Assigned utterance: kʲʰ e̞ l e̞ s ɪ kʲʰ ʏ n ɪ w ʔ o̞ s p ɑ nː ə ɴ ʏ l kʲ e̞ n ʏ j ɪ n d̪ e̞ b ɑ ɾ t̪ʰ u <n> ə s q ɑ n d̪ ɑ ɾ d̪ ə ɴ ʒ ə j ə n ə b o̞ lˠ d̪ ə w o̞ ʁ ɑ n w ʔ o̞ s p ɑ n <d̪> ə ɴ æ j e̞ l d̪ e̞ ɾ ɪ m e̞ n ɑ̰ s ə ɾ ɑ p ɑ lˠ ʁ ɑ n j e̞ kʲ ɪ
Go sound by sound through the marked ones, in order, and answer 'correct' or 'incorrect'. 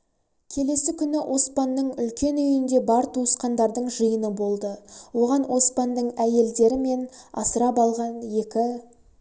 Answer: incorrect: none, correct

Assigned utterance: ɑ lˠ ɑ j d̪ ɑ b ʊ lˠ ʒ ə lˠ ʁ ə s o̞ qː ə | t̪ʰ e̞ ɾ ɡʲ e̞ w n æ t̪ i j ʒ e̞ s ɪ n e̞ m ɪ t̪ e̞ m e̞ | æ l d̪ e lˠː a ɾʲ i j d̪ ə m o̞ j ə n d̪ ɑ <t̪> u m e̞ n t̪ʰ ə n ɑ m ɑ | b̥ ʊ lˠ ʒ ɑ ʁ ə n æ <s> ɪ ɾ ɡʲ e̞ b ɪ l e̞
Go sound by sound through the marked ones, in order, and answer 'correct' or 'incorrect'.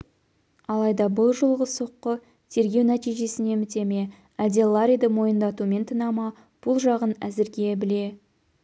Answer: correct, incorrect: z

